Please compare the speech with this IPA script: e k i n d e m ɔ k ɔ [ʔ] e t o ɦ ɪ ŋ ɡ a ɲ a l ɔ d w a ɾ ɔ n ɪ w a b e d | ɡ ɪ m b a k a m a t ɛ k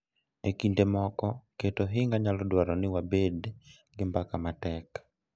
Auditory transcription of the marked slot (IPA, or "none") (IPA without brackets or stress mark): k